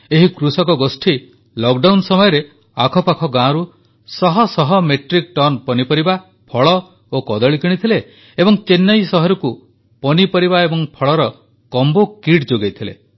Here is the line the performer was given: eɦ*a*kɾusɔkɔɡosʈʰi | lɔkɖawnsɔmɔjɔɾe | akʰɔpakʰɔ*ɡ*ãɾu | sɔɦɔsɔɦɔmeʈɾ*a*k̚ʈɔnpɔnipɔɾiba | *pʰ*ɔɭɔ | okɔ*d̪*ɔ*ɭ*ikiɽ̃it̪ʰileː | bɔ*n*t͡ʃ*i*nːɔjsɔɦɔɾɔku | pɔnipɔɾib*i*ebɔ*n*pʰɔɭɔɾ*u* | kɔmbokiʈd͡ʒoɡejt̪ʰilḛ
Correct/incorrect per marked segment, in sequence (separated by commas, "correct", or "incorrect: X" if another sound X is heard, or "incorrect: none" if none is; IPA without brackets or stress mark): incorrect: i, correct, incorrect: i, correct, correct, correct, incorrect: ŋ, incorrect: e, incorrect: a, incorrect: ŋ, incorrect: ɔ